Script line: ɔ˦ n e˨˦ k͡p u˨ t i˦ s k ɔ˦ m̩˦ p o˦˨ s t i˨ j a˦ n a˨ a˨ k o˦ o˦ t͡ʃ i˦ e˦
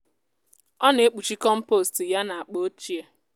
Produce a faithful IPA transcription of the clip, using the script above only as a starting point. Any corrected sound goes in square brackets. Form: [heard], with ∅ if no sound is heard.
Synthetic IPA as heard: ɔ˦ n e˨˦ k͡p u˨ [t͡ʃ] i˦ [∅] k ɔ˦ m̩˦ p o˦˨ s t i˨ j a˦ n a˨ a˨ [k͡p] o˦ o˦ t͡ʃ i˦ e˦